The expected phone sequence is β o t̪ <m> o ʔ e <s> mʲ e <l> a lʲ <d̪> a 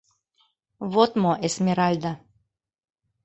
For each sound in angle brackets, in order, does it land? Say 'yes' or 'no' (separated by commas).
yes, yes, no, yes